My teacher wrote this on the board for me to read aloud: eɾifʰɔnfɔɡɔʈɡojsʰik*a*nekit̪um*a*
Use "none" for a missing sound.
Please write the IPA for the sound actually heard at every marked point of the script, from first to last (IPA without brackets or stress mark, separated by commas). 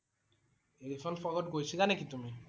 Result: a, i